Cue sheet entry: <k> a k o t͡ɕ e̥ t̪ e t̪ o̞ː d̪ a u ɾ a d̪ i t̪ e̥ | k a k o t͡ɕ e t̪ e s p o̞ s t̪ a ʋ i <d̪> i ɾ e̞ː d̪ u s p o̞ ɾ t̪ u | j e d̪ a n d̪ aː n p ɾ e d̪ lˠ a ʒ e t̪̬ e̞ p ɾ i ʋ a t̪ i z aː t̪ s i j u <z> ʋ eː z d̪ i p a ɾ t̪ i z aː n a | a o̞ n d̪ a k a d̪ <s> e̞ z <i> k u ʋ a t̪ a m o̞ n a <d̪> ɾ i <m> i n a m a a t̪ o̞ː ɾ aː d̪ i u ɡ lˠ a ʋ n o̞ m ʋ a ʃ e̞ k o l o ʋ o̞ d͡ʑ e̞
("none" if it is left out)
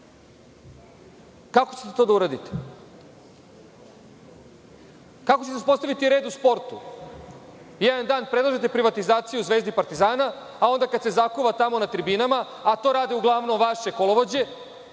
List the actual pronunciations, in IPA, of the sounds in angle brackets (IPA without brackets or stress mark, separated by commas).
k, t̪, z, s, a, t̪, b